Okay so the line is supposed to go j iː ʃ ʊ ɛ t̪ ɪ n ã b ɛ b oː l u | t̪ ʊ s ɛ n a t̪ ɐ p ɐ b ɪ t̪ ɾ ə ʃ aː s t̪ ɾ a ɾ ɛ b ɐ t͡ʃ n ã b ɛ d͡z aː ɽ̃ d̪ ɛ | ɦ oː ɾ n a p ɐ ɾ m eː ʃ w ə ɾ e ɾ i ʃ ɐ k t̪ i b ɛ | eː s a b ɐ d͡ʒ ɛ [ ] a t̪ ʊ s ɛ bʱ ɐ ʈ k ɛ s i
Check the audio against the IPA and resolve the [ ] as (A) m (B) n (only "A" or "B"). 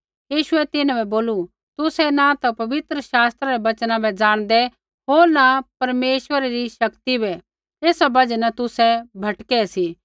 B